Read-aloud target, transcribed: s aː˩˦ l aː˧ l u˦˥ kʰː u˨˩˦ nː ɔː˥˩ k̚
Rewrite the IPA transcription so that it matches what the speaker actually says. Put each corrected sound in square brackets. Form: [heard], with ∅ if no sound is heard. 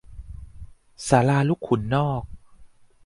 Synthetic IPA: s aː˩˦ l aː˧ l u˦˥ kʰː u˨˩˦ nː ɔː˥˩ k̚